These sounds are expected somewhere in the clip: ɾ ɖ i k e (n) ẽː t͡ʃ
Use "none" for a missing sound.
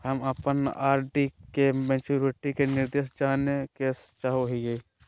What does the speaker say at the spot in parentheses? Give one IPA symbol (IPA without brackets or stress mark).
m